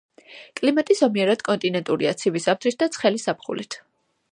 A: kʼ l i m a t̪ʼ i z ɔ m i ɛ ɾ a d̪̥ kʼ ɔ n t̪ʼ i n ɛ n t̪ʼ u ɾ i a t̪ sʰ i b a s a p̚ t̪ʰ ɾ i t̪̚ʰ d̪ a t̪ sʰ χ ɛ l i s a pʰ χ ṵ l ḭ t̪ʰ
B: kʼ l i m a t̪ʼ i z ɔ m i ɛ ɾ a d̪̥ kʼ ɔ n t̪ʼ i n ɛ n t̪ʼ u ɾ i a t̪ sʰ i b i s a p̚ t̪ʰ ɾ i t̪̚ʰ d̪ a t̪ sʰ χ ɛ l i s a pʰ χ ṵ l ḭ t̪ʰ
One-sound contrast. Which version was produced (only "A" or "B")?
B